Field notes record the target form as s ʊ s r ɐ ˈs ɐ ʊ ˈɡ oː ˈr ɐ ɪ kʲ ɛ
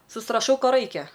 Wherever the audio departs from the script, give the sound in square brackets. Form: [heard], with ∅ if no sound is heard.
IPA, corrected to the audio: s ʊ s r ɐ [ˈʃ] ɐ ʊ [ˈk] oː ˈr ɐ ɪ kʲ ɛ